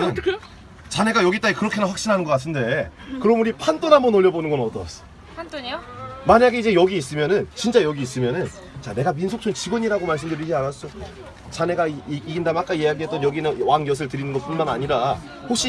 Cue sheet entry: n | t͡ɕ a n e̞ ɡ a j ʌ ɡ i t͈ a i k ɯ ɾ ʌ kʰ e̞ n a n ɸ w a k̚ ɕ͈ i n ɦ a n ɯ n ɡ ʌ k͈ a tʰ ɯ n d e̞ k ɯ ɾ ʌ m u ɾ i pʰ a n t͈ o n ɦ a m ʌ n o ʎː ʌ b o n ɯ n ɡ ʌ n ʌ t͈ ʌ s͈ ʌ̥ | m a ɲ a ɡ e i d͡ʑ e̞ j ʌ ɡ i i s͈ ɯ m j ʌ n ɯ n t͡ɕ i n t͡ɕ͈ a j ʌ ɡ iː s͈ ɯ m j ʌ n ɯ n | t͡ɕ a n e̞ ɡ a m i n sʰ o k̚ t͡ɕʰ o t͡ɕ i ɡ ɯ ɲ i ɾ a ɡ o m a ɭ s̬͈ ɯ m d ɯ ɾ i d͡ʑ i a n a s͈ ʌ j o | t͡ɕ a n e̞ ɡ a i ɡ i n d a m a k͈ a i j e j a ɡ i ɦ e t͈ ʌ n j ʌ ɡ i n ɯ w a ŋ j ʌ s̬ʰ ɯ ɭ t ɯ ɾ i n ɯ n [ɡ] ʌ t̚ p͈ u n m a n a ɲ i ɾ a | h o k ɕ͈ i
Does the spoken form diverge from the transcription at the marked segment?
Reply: no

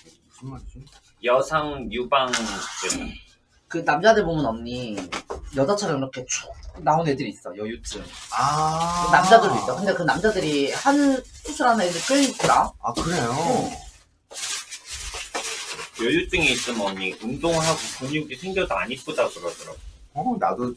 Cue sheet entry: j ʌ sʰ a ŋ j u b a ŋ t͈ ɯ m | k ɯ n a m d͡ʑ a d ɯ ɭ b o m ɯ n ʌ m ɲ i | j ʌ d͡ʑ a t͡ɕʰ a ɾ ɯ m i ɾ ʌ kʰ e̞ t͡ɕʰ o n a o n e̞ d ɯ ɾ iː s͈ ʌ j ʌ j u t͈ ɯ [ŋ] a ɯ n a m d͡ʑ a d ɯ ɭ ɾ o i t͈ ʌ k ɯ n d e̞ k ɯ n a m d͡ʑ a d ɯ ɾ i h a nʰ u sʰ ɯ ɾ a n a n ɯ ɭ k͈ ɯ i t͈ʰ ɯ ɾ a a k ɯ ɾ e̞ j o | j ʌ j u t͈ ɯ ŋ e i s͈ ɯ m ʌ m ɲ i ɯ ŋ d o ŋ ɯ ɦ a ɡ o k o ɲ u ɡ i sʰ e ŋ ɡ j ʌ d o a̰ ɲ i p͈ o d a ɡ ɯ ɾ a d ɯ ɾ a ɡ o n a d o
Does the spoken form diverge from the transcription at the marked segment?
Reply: no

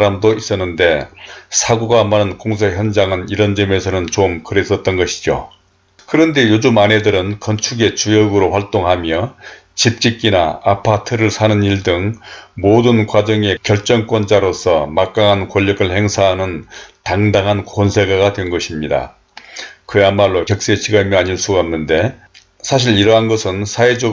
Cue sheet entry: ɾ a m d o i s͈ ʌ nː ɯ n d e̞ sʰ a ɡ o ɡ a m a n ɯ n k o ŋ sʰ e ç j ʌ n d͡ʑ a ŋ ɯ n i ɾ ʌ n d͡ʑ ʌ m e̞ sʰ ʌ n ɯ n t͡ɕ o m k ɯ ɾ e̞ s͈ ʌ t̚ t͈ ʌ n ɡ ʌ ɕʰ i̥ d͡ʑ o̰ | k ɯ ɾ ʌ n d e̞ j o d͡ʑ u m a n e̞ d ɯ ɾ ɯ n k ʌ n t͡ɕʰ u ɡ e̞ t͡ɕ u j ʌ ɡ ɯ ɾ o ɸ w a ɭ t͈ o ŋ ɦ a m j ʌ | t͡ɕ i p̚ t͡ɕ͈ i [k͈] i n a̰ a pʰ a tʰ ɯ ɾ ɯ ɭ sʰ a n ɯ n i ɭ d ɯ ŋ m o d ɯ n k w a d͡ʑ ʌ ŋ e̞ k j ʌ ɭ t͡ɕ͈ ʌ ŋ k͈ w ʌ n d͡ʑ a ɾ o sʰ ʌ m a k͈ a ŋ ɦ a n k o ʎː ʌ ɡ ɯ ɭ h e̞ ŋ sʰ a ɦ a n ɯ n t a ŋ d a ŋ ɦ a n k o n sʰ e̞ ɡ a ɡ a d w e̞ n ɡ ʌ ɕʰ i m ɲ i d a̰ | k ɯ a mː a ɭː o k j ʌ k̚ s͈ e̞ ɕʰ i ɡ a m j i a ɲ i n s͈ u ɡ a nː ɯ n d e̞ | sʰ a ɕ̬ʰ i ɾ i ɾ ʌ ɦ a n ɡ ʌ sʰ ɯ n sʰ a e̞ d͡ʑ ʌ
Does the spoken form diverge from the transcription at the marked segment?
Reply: no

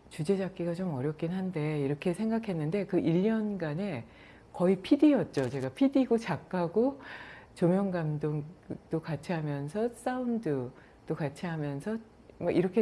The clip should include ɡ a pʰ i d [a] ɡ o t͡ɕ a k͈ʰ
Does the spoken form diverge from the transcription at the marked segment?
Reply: yes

